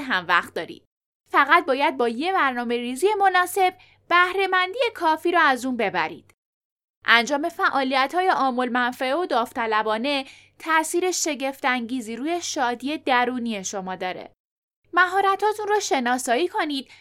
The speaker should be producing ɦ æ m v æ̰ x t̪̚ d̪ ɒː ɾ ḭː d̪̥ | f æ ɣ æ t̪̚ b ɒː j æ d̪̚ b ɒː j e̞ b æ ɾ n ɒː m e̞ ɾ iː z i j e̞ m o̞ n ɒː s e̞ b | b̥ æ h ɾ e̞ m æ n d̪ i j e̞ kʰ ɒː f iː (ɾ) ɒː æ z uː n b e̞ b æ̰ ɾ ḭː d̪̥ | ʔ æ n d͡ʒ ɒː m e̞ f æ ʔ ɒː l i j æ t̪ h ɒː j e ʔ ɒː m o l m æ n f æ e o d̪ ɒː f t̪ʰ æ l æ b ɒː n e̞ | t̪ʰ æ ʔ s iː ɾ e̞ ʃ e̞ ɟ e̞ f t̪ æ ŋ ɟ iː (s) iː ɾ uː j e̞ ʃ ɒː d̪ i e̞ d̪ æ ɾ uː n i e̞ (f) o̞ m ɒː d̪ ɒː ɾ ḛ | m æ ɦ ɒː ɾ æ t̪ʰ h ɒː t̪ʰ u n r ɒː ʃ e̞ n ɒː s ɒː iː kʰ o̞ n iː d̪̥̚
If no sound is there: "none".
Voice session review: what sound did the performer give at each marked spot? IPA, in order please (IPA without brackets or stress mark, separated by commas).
ɾ, z, ʃ